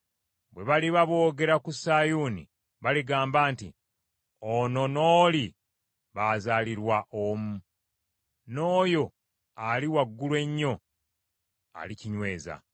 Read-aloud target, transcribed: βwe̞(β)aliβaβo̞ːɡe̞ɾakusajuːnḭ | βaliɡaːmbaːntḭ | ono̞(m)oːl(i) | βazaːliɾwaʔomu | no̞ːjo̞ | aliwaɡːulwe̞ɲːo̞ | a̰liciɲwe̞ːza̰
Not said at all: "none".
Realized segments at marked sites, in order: β, n, i

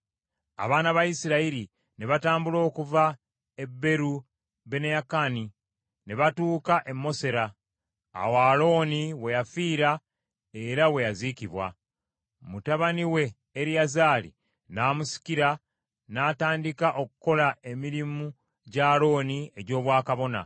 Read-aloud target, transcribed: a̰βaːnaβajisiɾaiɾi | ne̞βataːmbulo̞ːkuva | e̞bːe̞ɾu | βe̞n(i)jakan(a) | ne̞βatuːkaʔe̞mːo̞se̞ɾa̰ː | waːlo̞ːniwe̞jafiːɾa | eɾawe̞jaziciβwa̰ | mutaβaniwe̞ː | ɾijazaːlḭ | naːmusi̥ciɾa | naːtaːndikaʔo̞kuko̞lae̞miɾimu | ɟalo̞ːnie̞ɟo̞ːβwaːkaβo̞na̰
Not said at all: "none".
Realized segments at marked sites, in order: e, i

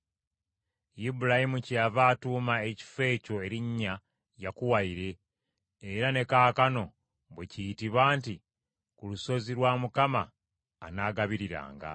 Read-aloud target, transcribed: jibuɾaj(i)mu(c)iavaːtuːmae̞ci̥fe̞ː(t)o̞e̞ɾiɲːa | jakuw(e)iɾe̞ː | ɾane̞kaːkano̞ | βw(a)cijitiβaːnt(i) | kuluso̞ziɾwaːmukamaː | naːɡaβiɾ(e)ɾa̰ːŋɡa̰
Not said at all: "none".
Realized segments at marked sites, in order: i, c, c, a, e, i, i

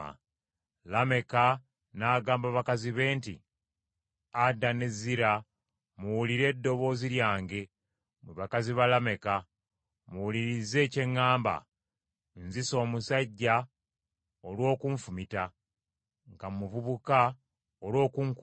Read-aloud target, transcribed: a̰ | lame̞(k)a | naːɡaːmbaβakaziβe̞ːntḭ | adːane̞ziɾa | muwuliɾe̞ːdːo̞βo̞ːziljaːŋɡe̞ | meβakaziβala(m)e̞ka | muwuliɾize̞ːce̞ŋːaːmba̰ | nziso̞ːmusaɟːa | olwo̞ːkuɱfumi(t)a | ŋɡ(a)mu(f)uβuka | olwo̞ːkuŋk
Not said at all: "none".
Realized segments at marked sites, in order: k, m, t, a, v

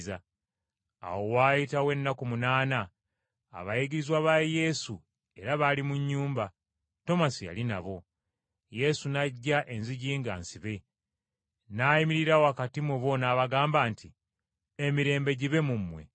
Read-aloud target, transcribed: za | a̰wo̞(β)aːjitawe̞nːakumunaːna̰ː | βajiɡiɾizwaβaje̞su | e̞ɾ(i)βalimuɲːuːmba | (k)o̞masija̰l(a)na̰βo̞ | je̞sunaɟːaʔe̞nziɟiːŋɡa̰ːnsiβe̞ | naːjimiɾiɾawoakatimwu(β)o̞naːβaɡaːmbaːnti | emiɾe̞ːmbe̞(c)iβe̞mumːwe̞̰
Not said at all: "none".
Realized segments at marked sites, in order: w, a, t, i, β, ɟ

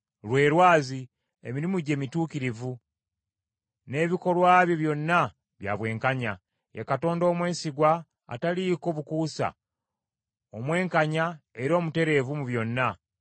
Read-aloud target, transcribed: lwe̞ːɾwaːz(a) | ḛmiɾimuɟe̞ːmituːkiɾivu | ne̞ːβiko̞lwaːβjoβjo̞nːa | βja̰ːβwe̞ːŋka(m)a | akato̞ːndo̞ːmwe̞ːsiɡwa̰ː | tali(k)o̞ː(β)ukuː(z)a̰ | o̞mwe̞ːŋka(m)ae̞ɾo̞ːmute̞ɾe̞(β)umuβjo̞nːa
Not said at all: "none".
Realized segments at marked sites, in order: i, ɲ, k, β, s, ɲ, v

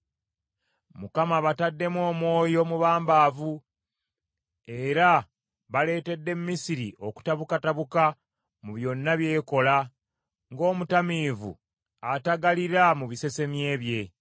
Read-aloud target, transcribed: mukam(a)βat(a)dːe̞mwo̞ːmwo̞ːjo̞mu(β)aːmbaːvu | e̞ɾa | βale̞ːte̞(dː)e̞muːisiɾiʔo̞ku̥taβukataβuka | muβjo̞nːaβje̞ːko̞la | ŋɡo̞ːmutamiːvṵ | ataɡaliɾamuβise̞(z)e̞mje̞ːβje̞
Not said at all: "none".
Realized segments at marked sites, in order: a, a, β, dː, s

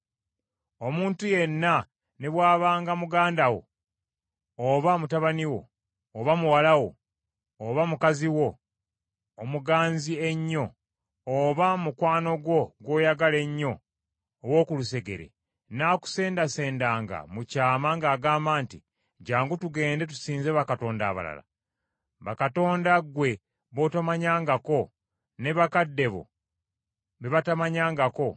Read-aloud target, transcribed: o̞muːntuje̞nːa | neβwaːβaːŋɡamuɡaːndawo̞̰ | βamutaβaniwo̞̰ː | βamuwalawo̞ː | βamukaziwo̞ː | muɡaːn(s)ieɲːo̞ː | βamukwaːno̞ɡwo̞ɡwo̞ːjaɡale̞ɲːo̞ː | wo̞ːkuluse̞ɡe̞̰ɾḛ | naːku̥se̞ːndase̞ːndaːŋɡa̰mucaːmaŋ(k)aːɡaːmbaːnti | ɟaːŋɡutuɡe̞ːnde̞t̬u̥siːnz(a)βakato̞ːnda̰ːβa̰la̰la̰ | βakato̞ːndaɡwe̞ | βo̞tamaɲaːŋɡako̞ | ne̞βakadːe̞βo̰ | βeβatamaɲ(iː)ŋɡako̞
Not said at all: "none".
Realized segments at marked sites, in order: z, ɡ, e, aː

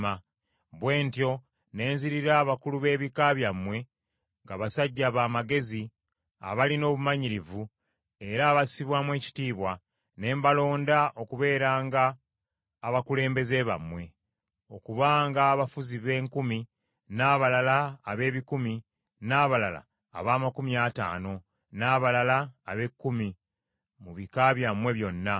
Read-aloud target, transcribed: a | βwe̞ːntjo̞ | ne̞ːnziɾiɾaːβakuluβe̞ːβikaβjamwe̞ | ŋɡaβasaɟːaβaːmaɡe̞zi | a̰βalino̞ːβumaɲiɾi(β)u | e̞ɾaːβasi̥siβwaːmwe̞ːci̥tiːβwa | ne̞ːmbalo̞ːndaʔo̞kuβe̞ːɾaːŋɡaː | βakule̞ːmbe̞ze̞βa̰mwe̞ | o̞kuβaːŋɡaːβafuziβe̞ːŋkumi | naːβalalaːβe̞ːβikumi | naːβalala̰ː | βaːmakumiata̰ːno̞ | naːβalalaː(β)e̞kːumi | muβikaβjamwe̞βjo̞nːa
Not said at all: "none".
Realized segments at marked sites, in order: v, β

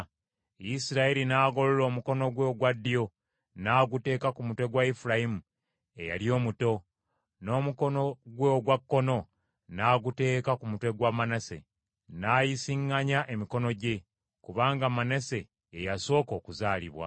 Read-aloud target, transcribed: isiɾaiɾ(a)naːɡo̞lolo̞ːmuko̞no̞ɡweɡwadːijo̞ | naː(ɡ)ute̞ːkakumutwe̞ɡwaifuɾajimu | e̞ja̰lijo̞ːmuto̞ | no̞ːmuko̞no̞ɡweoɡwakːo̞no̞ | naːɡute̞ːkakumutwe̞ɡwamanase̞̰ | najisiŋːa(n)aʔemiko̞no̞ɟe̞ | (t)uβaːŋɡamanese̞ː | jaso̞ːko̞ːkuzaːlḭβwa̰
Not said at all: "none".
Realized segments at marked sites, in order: i, ɡ, ɲ, k

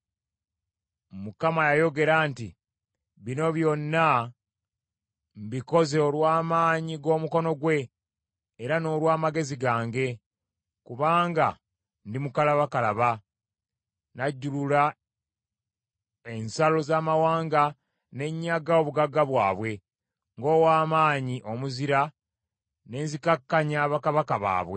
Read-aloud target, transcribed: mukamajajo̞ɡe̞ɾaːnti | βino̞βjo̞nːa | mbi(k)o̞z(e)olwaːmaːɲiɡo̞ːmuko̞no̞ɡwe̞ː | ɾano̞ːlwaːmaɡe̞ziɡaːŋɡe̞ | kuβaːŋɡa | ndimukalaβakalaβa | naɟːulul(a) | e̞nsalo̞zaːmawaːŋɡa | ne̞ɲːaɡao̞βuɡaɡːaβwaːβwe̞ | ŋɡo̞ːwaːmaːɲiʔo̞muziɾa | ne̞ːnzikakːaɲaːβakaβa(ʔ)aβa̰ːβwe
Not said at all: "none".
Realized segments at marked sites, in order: k, e, a, k

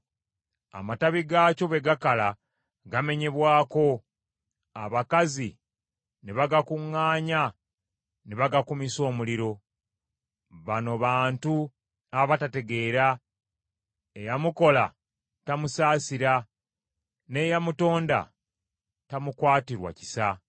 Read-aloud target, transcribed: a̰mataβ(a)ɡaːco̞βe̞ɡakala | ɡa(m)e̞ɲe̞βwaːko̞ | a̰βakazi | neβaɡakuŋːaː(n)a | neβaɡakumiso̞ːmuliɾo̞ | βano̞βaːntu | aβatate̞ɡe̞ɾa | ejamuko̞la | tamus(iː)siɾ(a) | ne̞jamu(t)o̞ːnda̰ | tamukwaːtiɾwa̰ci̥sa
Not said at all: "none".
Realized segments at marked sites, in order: i, m, ɲ, aː, a, t

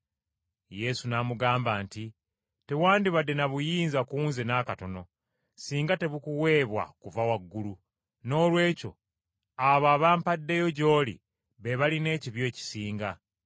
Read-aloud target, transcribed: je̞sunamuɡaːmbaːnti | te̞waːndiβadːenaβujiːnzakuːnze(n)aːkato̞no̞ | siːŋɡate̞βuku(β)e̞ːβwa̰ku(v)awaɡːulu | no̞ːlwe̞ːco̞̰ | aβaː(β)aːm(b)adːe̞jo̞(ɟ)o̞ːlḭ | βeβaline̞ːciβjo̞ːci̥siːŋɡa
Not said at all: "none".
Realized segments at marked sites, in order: n, w, v, β, p, ɟ

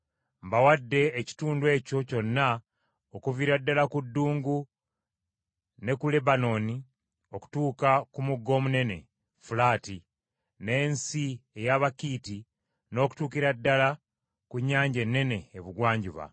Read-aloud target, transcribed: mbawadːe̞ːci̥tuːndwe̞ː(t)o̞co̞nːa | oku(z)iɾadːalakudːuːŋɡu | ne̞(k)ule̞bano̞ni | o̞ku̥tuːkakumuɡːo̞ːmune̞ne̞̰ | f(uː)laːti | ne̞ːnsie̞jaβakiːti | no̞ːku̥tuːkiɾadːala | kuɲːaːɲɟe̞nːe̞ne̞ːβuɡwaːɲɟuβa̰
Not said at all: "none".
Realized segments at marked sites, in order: c, v, k, u

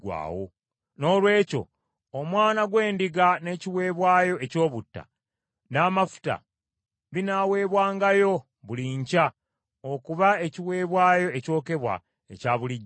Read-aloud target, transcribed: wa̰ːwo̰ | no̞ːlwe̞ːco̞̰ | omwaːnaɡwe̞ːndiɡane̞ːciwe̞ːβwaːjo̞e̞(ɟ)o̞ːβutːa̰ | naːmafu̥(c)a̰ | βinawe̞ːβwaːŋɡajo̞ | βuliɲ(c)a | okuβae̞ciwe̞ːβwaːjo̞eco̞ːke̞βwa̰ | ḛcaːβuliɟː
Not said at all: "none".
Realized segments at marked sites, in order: c, t, c

